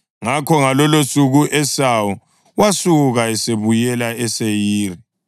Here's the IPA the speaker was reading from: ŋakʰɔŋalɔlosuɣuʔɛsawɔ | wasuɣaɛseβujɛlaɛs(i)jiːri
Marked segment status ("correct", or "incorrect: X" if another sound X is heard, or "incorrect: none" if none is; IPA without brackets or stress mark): incorrect: e